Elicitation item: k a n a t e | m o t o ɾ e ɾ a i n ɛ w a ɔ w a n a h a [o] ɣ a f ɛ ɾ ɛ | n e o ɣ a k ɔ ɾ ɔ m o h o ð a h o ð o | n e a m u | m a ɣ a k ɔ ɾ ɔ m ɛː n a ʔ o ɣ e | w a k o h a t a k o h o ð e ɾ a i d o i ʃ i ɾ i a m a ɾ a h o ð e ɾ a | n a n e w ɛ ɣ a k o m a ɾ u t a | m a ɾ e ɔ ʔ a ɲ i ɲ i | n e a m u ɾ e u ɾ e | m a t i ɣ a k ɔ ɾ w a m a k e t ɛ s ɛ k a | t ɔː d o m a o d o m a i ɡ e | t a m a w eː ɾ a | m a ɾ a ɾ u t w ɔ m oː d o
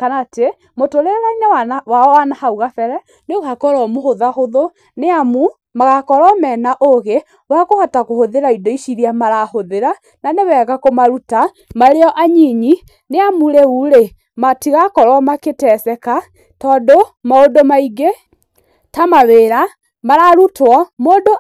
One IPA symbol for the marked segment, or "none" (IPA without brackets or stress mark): u